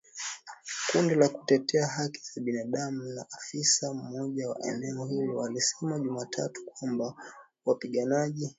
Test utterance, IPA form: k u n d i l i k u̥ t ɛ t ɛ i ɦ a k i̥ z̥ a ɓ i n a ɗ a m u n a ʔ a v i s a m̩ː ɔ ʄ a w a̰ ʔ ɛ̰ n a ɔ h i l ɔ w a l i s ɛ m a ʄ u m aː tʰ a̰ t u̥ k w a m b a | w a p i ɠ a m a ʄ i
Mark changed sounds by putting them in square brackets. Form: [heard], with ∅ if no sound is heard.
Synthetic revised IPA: k u n d i l [a] k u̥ t ɛ t ɛ [a] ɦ a k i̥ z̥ a ɓ i n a ɗ a m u n a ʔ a [f] i s a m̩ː ɔ ʄ a w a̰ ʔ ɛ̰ n [ɛ] ɔ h i l ɔ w a l i s ɛ m a ʄ u m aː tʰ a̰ t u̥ k w a m b a | w a p i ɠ a [n] a ʄ i